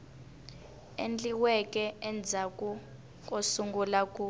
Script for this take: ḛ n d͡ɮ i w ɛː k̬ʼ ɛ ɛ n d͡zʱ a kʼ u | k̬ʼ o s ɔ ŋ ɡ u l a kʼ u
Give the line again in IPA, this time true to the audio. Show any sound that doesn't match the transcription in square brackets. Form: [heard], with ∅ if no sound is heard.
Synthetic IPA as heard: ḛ n d͡ɮ i w [ɛ] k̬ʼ ɛ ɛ n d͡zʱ a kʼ u | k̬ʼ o s [u] ŋ ɡ u l a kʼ u